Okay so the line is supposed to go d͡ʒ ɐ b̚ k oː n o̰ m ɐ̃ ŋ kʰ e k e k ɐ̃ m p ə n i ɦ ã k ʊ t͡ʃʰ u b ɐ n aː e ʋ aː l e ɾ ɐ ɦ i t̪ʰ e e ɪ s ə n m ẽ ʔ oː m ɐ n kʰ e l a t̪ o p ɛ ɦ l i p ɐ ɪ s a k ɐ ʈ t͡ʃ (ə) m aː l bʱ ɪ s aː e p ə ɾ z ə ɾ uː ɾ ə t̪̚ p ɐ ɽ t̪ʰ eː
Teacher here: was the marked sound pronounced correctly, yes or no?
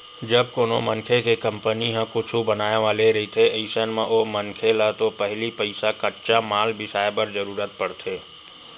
no